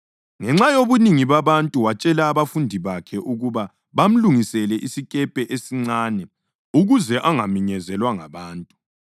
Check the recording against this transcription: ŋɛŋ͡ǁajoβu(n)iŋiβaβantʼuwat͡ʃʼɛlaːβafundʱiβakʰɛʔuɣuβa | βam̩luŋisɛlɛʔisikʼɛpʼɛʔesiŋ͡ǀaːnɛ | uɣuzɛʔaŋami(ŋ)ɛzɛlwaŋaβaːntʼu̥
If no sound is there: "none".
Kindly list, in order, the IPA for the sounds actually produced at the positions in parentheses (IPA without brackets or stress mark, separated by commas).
n, ɲ